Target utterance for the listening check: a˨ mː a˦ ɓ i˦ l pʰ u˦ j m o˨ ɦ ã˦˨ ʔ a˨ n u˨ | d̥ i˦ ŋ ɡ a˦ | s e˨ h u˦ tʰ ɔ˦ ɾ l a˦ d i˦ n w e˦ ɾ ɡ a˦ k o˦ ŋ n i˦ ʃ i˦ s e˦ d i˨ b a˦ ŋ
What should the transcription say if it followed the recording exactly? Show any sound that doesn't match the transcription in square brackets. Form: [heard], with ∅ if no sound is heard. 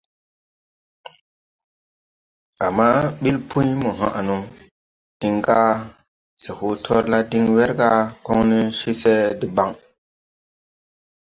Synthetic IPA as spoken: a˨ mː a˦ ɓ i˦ l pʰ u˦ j m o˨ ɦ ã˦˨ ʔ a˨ n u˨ | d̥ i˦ ŋ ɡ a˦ | s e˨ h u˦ tʰ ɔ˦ ɾ l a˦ d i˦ [ŋ] w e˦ ɾ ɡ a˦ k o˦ ŋ n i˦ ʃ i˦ s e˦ d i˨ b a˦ ŋ